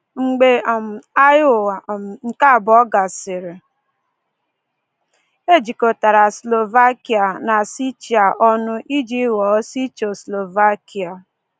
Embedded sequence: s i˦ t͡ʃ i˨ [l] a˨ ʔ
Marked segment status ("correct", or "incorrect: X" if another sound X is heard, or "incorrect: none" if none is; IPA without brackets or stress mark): incorrect: none